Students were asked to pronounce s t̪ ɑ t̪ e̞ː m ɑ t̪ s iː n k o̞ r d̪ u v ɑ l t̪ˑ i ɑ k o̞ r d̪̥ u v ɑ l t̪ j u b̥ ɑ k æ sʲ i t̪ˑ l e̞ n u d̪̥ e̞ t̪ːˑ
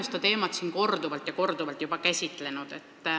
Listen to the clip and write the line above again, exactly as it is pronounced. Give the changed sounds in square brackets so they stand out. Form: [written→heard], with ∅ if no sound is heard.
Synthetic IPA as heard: s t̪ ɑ t̪ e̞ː m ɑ t̪ s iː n k o̞ r d̪ u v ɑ l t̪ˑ [i→j] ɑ k o̞ r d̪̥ u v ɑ l t̪ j u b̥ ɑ k æ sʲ i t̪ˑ l e̞ n u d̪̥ e̞ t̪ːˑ